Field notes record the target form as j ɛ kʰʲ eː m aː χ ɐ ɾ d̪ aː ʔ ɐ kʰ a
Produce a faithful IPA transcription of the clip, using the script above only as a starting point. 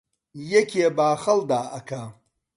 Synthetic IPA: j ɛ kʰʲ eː b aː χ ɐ l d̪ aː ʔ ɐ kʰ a